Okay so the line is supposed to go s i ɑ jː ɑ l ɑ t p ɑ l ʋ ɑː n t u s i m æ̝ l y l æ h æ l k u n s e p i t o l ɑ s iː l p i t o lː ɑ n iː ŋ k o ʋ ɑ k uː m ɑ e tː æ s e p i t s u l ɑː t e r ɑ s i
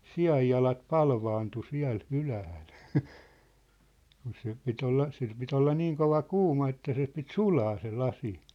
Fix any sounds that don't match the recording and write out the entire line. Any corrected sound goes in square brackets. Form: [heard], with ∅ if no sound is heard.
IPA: s i ɑ jː ɑ l ɑ t p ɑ l ʋ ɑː n t u s i [∅] æ̝ l y l æ h æ l k u n s e p i t o [lː] ɑ s [i] l p i t o lː ɑ n iː ŋ k o ʋ ɑ k uː m ɑ e tː æ s e p i t s u l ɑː [s] e [l] ɑ s i